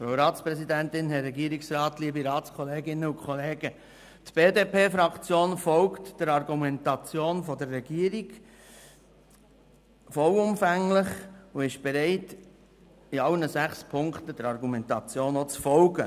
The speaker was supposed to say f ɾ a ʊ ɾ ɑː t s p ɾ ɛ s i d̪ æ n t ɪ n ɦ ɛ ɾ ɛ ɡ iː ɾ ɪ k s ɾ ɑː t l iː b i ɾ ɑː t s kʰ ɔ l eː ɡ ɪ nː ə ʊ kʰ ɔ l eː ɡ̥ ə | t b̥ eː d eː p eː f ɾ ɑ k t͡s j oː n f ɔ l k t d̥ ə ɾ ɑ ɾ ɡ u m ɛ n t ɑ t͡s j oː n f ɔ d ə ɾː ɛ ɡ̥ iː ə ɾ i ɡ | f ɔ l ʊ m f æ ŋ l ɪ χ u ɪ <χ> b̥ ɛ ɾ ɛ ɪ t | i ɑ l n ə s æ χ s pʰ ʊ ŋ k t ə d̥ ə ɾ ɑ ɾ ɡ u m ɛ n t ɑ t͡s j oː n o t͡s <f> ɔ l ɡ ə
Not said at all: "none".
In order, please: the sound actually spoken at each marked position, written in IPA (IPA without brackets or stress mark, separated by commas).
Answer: ʃ, f